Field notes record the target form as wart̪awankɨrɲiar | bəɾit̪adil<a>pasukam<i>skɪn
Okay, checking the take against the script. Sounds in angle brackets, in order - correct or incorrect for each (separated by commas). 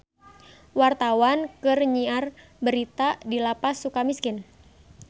correct, correct